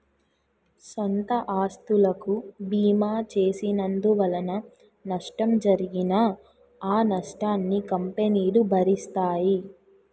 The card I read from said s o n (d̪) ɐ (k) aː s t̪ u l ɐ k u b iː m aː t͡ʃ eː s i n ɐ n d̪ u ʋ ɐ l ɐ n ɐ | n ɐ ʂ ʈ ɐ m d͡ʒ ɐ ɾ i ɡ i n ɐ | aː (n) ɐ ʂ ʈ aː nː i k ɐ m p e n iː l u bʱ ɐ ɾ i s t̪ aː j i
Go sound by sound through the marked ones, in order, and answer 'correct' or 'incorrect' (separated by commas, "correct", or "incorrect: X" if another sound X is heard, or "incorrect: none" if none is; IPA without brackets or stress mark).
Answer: incorrect: t̪, incorrect: ʔ, correct